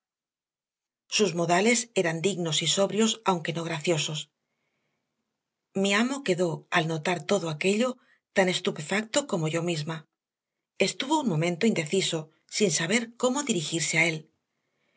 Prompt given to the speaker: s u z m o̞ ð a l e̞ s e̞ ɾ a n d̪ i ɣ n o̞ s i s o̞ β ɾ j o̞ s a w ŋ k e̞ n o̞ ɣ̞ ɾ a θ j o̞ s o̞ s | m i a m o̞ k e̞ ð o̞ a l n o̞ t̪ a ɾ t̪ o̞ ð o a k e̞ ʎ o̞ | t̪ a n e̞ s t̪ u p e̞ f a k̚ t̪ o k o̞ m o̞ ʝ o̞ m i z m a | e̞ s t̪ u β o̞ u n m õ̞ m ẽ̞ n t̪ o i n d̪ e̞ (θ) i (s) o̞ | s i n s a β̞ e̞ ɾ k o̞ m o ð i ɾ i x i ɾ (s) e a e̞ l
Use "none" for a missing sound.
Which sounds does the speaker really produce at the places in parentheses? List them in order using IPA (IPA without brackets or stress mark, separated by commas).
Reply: θ, s, s